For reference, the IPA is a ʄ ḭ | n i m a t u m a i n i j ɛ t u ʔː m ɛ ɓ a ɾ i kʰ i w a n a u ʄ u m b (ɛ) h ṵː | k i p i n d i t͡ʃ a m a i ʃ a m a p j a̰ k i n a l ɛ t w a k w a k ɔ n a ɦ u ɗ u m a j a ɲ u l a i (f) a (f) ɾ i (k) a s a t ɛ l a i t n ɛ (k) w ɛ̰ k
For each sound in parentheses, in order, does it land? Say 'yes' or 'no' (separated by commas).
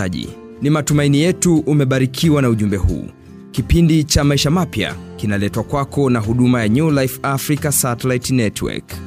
yes, yes, yes, yes, no